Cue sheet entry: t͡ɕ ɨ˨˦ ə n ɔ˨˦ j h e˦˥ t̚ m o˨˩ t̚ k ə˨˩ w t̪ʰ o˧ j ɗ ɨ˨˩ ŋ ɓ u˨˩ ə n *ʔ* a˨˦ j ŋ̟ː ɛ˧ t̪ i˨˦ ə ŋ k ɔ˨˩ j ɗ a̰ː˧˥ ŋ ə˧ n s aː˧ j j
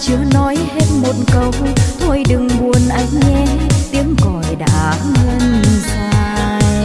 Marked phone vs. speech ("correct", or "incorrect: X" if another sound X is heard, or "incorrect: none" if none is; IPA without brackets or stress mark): correct